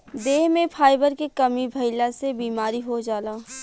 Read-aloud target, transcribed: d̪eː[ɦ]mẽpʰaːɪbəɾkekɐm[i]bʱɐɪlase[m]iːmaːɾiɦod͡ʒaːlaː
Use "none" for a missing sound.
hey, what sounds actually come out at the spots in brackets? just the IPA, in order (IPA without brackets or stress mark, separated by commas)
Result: ɦ, i, b